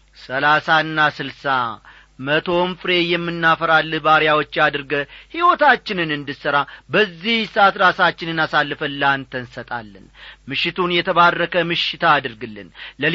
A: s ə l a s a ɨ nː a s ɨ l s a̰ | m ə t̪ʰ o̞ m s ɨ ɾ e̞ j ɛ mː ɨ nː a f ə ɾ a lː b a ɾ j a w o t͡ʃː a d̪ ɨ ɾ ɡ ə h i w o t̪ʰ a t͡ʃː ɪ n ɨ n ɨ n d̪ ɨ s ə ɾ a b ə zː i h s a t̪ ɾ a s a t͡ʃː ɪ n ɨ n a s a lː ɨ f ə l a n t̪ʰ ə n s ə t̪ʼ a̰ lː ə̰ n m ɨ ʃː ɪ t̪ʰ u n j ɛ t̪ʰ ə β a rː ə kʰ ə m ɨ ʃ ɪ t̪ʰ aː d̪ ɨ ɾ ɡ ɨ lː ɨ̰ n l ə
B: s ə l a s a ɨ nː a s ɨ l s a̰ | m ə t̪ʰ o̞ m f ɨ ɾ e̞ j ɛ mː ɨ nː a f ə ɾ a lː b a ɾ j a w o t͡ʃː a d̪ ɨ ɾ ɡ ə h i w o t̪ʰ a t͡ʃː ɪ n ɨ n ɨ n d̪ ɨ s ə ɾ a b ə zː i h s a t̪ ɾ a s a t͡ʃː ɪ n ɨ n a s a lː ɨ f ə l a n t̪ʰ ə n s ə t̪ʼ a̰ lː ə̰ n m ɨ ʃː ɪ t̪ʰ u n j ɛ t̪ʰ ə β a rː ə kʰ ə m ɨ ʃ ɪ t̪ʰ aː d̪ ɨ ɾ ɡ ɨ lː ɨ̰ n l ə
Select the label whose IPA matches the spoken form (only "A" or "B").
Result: B